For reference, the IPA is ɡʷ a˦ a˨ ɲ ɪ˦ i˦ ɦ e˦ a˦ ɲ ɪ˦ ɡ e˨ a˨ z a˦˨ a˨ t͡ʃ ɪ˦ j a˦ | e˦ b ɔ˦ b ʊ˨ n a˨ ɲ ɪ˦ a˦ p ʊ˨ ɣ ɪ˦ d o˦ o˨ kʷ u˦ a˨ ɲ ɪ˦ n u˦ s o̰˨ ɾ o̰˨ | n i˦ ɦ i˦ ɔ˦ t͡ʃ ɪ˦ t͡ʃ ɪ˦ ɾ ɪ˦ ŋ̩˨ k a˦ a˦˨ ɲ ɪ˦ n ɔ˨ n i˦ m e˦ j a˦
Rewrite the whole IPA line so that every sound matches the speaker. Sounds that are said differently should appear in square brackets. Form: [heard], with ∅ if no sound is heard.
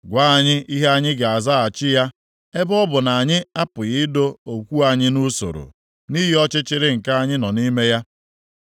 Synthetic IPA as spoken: ɡʷ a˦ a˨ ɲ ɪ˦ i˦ ɦ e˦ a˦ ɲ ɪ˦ ɡ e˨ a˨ z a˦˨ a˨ t͡ʃ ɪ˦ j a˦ | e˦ b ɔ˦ b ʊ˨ n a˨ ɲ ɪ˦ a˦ p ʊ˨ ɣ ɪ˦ d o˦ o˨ kʷ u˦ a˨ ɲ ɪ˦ n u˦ s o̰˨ ɾ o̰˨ | n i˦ ɦ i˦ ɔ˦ t͡ʃ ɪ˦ t͡ʃ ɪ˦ ɾ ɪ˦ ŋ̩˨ k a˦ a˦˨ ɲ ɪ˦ n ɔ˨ n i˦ m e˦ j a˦